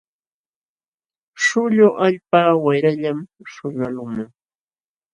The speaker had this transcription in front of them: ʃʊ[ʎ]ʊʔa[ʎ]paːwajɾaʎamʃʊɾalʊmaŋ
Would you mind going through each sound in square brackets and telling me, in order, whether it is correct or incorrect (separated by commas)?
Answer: correct, correct